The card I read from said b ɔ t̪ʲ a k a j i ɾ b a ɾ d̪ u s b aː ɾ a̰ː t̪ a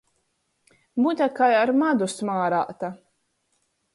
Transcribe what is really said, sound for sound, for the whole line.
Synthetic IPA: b u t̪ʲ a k a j a ɾ m a d̪ u s m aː ɾ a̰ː t̪ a

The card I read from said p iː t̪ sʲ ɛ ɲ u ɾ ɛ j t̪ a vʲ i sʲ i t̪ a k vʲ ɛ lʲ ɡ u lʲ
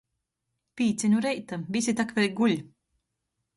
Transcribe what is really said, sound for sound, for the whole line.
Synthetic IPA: p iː t̪ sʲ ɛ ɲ u ɾ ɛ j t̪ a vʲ i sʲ i t̪ a k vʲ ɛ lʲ ɡ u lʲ

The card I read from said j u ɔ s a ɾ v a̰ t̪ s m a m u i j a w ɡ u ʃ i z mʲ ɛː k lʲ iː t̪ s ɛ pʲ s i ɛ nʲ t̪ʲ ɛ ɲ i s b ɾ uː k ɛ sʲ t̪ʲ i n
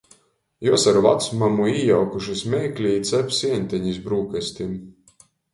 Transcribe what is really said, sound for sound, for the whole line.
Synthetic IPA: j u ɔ s a ɾ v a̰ t̪ s m a m u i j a w k u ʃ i s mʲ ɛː k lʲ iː t̪ s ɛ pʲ s i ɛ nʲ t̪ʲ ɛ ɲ i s b ɾ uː k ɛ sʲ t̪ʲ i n

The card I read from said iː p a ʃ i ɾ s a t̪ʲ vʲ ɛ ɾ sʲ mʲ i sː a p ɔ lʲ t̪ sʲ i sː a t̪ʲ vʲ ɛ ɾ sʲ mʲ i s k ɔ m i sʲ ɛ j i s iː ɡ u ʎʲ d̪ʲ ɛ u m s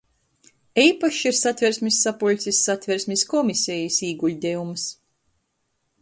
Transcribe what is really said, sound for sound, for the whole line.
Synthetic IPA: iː p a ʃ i ɾ s a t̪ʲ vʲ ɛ ɾ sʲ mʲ i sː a p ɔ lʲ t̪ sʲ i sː a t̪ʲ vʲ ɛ ɾ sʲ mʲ i s k ɔ m i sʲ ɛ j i s iː ɡ u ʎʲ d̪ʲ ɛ u m s

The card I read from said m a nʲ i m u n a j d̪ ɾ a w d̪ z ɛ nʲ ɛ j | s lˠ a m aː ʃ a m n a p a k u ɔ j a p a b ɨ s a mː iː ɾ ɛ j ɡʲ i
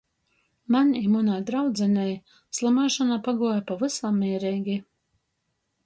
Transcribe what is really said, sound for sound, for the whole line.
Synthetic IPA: m a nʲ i m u n a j d̪ ɾ a w d̪ z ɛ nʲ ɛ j | s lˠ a m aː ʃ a n a p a ɡ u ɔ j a p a v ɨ s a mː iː ɾ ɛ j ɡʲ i

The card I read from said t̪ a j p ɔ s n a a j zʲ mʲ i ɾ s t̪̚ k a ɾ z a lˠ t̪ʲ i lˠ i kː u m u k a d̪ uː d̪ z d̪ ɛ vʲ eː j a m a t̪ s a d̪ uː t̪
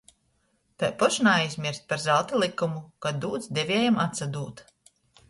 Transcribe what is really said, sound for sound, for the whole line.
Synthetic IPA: t̪ a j p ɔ ʃ n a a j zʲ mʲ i ɾ s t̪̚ p a ɾ z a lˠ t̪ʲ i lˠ i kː u m u k a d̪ uː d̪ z d̪ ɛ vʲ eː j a m a t̪ s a d̪ uː t̪

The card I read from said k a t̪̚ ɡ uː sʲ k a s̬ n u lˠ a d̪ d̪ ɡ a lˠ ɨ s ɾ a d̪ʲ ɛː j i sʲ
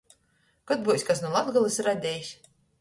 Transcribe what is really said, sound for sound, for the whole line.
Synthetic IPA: k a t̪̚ b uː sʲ k a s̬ n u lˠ a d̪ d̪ ɡ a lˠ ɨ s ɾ a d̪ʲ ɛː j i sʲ

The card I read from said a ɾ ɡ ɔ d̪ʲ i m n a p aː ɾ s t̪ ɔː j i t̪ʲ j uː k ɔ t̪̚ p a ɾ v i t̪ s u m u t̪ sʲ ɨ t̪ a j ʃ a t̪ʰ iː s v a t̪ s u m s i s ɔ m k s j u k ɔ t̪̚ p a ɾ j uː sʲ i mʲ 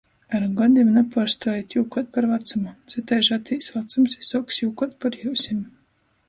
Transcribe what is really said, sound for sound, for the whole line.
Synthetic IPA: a ɾ ɡ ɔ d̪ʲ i m n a p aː ɾ s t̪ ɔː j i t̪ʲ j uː k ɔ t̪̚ p a ɾ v a t̪ s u m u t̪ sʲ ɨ t̪ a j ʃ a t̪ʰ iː s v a t̪ s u m s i s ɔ k s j u k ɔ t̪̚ p a ɾ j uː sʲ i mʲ

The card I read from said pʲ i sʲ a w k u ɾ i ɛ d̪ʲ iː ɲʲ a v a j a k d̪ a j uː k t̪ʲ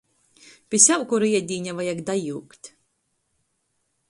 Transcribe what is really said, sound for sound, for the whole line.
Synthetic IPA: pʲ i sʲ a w k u ɾ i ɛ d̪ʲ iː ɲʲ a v a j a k d̪ a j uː k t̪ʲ

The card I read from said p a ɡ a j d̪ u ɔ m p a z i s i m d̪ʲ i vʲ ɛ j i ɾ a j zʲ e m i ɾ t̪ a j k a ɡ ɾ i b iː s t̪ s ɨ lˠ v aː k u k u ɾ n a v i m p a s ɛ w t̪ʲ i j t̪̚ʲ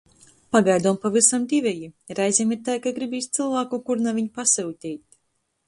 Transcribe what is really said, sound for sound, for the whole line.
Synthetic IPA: p a ɡ a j d̪ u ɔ m p a v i s a m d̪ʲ i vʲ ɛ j i ɾ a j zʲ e m i ɾ t̪ a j k a ɡ ɾ i b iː s t̪ s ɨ lˠ v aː k u k u ɾ n a v i ɲ p a s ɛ w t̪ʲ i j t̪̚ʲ

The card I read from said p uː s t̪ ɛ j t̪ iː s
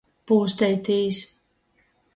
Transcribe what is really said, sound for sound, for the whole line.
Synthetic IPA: p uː s t̪ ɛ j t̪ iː s

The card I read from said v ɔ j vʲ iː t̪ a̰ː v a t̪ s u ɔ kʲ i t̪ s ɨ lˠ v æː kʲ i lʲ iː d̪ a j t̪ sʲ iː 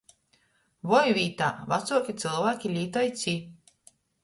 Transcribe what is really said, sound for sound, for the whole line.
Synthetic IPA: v ɔ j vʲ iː t̪ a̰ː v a t̪ s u ɔ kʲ i t̪ s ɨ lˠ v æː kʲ i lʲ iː t̪ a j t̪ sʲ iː

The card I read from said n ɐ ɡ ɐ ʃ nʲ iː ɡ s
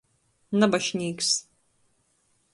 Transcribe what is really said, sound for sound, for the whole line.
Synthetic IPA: n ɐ b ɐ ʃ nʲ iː k s

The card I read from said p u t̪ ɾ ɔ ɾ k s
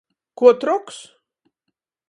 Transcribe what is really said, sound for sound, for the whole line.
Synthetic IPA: k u t̪ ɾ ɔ k s

